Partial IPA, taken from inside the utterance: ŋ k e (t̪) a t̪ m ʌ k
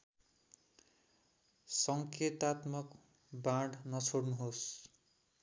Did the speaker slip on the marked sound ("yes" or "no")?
no